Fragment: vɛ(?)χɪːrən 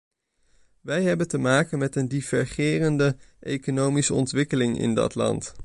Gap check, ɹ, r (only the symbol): ɹ